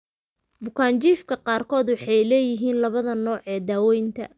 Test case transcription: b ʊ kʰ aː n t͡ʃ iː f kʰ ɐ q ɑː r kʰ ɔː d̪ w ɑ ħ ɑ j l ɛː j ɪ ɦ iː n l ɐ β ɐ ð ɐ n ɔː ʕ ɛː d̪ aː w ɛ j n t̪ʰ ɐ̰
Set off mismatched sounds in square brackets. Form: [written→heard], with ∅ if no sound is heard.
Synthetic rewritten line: b ʊ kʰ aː n t͡ʃ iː f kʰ ɐ q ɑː r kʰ ɔː d̪ w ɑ ħ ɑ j l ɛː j ɪ ɦ iː n l ɐ β ɐ ð ɐ n ɔː ʕ ɛː d̪ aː w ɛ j n t̪ʰ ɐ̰